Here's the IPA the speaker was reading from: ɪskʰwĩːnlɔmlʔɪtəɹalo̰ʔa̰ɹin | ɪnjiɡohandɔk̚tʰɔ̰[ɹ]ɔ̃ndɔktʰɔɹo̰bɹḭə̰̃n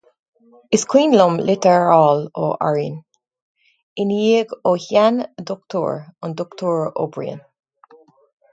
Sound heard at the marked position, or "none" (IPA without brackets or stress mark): ɹ